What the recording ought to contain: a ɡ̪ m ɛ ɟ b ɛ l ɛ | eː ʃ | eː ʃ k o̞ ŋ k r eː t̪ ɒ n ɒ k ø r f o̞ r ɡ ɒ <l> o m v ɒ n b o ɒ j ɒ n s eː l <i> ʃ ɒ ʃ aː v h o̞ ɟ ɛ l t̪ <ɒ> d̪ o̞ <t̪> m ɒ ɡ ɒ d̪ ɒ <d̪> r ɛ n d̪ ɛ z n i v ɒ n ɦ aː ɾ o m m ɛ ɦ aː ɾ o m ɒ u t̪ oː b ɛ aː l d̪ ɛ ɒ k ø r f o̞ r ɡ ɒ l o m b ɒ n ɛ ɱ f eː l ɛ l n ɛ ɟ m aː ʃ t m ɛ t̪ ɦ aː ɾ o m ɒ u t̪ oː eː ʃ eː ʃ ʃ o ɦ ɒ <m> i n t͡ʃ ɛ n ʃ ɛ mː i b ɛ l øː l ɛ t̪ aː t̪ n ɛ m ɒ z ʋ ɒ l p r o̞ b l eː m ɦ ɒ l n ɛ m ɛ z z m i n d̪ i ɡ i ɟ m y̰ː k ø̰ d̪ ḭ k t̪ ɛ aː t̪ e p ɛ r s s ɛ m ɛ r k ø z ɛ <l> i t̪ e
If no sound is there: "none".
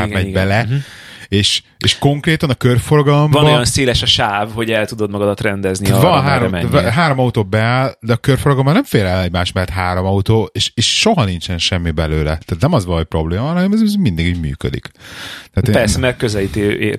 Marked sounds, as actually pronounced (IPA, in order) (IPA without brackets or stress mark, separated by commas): l, ɛ, u, d̪, t̪, n, l